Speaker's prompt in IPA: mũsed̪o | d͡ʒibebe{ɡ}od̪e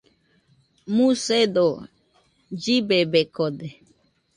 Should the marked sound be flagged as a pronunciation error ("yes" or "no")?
yes